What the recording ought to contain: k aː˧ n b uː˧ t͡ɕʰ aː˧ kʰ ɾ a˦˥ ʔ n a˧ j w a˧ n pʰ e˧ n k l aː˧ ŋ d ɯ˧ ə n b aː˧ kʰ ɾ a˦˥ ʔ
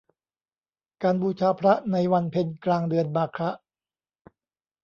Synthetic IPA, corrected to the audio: k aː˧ n b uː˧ t͡ɕʰ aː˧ pʰ ɾ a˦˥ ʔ n a˧ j w a˧ n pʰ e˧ n k l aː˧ ŋ d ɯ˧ ə n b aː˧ kʰ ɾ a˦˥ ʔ